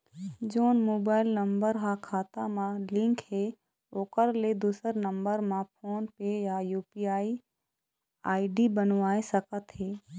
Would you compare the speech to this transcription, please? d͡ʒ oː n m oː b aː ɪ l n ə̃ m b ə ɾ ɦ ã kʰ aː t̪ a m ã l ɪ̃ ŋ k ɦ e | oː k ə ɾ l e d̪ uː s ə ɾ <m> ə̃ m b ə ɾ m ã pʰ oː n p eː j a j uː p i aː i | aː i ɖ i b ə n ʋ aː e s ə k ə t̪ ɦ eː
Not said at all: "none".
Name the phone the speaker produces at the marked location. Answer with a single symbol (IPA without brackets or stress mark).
n